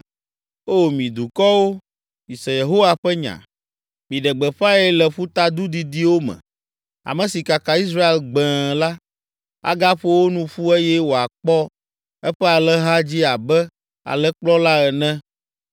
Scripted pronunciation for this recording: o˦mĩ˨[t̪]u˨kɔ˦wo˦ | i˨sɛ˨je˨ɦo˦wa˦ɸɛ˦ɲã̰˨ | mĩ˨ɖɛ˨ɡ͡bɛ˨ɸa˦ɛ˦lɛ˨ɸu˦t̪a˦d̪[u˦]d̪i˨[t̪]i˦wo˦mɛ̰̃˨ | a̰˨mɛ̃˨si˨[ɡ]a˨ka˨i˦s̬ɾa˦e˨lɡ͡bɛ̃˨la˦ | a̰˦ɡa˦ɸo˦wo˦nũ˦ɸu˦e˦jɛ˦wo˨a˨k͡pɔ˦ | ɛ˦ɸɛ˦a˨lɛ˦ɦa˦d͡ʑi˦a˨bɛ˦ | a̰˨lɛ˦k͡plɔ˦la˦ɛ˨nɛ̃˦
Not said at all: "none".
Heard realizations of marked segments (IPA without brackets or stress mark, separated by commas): d̪, u˦, d̪, k